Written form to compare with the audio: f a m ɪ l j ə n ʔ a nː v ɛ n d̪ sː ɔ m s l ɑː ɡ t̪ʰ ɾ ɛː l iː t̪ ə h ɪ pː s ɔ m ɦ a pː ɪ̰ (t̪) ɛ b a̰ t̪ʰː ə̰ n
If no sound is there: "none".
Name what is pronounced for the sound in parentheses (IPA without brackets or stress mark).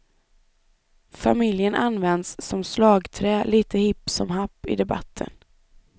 d̪